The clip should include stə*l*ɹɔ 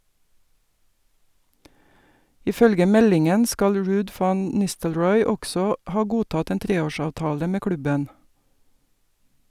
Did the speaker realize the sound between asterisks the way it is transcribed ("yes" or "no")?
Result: yes